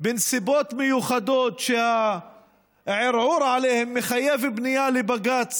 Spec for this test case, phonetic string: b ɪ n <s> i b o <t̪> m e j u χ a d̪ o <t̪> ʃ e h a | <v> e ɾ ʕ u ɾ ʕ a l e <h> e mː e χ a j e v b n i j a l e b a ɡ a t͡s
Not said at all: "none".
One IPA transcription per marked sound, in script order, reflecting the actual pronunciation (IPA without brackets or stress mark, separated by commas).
s, t̪, t̪, ʕ, h